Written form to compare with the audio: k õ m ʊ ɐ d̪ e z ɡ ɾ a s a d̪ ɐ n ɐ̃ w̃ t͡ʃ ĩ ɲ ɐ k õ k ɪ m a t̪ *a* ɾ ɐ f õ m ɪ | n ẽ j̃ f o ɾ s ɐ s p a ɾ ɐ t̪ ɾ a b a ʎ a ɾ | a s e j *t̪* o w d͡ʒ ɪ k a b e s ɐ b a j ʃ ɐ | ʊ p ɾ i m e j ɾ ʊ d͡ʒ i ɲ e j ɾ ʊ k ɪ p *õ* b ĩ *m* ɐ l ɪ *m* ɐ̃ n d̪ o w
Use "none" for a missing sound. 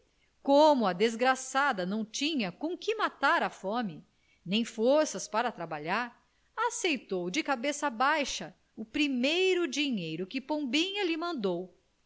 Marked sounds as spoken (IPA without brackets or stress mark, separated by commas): a, t̪, õ, ɲ, m